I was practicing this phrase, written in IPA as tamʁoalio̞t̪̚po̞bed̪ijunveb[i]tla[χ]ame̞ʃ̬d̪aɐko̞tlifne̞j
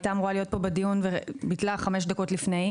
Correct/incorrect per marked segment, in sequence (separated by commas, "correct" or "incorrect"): correct, correct